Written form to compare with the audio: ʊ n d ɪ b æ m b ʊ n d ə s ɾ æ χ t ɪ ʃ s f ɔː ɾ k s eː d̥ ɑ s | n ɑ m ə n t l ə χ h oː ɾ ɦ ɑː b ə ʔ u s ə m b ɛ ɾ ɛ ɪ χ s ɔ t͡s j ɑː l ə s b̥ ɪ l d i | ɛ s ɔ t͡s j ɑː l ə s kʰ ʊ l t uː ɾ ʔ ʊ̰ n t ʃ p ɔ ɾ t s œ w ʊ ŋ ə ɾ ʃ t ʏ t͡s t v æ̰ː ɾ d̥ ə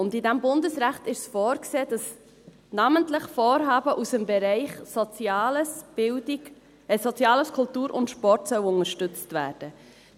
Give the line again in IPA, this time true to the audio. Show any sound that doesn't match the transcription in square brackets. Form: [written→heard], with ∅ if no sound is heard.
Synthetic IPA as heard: ʊ n d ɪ [b→d] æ m b ʊ n d ə s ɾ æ χ t ɪ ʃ s f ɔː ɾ k s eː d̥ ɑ s | n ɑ m ə n t l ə χ [h→f] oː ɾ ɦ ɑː b ə ʔ u s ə m b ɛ ɾ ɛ ɪ χ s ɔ t͡s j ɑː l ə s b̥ ɪ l d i | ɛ s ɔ t͡s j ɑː l ə s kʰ ʊ l t uː ɾ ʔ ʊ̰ n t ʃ p ɔ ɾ t s œ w ʊ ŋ ə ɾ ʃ t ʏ t͡s t v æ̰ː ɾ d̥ ə